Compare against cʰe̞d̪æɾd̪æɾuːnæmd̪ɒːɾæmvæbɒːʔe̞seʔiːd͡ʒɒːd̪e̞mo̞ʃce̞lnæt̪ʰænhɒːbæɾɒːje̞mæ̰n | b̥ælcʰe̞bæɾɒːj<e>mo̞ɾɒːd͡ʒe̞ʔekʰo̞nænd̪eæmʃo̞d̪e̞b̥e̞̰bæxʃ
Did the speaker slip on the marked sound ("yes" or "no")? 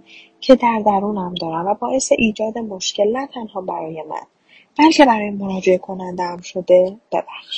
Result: no